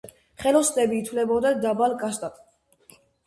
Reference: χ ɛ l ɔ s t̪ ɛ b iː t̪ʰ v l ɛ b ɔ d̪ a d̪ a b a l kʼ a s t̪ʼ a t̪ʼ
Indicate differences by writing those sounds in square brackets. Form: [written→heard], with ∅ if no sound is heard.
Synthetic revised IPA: χ ɛ l ɔ s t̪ ɛ b iː t̪ʰ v l ɛ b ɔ d̪ a d̪ a b a l kʼ a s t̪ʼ a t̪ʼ